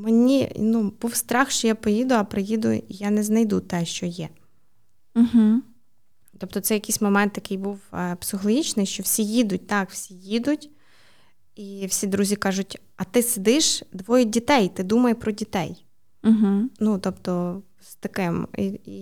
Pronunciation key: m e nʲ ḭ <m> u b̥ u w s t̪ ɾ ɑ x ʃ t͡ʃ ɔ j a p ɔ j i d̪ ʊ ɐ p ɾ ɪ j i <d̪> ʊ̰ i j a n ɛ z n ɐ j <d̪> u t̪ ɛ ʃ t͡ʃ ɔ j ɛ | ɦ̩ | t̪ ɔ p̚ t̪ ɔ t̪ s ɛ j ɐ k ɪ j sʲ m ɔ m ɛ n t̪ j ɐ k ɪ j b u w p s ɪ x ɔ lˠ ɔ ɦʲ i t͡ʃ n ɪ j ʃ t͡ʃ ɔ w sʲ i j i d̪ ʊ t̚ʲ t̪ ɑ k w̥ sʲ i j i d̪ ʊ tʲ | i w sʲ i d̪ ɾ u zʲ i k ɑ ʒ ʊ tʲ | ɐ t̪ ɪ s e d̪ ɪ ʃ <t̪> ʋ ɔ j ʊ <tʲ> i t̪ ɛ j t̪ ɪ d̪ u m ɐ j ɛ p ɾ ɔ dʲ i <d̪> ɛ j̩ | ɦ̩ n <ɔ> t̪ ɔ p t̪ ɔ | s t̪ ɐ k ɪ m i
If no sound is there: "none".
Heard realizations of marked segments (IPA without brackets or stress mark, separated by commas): n, d̪, d̪, d̪, dʲ, t̪, u